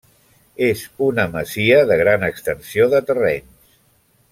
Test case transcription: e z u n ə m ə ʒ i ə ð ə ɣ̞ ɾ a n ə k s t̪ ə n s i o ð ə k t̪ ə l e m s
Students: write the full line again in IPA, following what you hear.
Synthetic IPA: e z u n ə m ə z i ə ð ə ɣ̞ ɾ a n ə k s t̪ ə n s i o ð ə t̪ ə r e n s